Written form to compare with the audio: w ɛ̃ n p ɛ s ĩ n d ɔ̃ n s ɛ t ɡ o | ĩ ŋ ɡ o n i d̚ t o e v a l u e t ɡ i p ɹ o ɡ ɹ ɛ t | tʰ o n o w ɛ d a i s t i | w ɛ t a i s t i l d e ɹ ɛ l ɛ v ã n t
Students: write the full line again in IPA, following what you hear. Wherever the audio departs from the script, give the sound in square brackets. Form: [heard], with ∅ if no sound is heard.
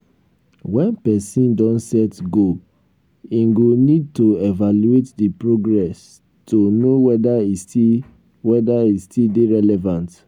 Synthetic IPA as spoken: w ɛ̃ n p ɛ s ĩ n d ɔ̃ n s ɛ t ɡ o | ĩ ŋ ɡ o n i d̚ t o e v a l u e t [d] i p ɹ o ɡ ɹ ɛ [s] | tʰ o n o w ɛ d a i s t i | w ɛ [d] a i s t i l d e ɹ ɛ l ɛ v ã n t